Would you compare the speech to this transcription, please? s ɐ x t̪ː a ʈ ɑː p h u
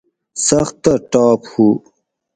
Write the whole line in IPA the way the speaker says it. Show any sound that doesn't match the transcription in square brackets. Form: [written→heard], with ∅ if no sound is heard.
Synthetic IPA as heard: s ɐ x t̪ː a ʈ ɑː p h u

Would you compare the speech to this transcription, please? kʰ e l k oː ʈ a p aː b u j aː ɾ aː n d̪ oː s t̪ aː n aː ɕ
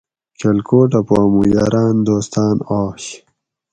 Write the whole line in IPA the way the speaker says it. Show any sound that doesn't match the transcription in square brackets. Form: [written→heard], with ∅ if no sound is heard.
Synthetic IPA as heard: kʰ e l k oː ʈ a p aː [b→m] u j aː ɾ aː n d̪ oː s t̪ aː n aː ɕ

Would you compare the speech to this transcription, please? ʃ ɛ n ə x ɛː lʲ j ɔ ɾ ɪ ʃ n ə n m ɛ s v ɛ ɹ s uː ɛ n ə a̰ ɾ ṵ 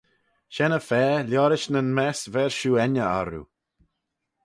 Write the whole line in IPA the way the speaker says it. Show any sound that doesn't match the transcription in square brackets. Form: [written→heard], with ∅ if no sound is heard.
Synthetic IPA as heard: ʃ ɛ n ə [x→f] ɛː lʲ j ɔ ɾ ɪ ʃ n ə n m ɛ s v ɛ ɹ [s→ʃ] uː ɛ n ə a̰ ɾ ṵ

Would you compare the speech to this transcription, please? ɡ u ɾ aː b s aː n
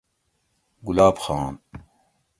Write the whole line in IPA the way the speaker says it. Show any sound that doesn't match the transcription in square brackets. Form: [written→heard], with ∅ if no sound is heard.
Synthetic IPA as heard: ɡ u [ɾ→l] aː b [s→x] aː n

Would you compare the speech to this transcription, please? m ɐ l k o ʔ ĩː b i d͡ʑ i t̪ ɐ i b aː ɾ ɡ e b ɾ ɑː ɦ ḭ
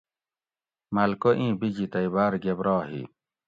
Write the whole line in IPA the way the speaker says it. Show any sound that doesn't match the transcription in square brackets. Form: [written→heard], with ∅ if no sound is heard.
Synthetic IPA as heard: m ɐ l k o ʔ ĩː b i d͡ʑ i t̪ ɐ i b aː ɾ ɡ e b ɾ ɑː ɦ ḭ

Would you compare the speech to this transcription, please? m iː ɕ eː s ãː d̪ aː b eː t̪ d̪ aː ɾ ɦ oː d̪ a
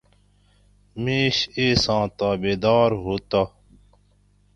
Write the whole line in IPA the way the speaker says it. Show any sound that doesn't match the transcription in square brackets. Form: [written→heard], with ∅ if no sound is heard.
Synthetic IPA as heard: m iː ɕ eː s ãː [d̪→t̪] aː b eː [t̪→∅] d̪ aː ɾ ɦ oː [d̪→t̪] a

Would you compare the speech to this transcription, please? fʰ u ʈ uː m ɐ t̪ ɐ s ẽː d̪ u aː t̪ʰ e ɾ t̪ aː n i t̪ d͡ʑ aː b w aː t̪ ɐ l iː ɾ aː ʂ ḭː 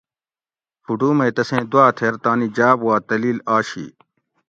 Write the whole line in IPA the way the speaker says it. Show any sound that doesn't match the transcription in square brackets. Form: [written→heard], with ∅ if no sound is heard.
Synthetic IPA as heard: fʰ u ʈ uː m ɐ t̪ ɐ s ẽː d̪ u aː t̪ʰ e ɾ t̪ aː n i [t̪→∅] d͡ʑ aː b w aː t̪ ɐ l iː [ɾ→l] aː [ʂ→ɕ] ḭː

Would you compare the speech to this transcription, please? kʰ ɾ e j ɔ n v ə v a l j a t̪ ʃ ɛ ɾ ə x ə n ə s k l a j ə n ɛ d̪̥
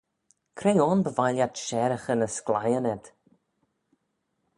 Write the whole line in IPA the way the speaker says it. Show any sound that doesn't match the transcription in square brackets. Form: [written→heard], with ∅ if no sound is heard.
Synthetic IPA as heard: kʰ ɾ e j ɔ n [v→b] ə v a l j a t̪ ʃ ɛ ɾ ə x ə n ə s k l a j ə n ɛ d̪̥

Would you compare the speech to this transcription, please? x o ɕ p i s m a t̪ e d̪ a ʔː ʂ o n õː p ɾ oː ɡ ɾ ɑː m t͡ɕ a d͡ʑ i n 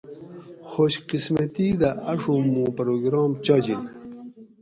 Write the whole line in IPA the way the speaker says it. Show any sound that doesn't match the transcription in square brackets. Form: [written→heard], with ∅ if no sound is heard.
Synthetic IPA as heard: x o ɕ [p→q] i s m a t̪ [e→i] d̪ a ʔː ʂ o [n→m] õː p ɾ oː ɡ ɾ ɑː m t͡ɕ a d͡ʑ i n

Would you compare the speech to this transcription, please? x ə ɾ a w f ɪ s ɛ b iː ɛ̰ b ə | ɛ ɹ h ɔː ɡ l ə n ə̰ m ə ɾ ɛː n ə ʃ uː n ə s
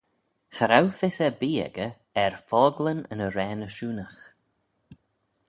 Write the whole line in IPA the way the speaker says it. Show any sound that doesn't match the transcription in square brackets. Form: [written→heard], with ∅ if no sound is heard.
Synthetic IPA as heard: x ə ɾ a w f ɪ s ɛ b iː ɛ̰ [b→ɡ] ə | ɛ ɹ [h→f] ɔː ɡ l ə n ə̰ [m→n] ə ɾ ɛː n ə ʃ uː n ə [s→x]

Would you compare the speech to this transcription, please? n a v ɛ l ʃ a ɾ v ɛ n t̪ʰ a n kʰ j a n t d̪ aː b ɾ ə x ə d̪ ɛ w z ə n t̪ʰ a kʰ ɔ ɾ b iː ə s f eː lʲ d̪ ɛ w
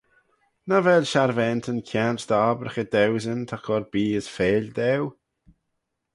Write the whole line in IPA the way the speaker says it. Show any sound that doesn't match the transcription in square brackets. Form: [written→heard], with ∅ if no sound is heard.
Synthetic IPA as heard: n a v ɛ l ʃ a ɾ v ɛ n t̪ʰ [a→ə] n kʰ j a n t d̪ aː b ɾ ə x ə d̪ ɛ w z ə n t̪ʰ a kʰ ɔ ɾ b iː ə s f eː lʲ d̪ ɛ w

